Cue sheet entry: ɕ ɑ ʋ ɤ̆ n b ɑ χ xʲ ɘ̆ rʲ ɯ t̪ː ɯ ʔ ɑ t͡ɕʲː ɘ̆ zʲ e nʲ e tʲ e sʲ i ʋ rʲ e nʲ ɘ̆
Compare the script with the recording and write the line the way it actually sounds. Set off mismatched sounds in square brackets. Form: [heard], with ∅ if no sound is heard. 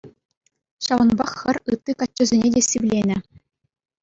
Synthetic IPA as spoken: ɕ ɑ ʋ ɤ̆ n b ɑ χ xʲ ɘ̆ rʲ ɯ t̪ː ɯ [k] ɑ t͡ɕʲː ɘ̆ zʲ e nʲ e [dʲ] e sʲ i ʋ [lʲ] e nʲ ɘ̆